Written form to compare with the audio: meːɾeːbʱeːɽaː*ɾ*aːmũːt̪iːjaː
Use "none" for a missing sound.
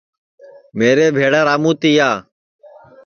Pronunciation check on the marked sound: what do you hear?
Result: ɾ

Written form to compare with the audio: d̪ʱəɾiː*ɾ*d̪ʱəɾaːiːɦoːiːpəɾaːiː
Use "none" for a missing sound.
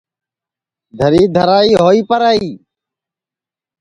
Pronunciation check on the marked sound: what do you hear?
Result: none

